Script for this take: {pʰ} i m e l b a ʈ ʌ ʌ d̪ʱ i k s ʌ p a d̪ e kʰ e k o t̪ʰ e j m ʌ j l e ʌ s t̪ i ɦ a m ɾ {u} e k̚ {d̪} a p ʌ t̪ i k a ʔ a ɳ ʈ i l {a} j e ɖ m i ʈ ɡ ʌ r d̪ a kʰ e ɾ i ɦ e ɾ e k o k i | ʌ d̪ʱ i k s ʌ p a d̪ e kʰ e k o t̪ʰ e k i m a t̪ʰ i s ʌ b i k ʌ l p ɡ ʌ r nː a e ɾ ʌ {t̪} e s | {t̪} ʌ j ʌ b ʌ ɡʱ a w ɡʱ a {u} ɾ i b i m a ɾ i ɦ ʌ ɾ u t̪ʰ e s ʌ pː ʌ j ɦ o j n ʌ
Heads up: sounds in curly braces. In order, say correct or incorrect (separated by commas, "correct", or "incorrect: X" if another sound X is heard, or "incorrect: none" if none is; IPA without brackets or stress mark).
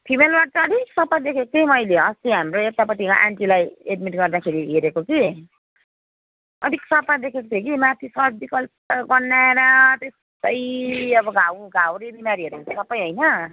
correct, incorrect: o, incorrect: t̪, correct, correct, correct, incorrect: w